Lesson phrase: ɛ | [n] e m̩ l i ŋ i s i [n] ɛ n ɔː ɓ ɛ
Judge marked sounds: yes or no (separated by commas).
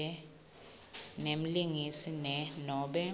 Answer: yes, yes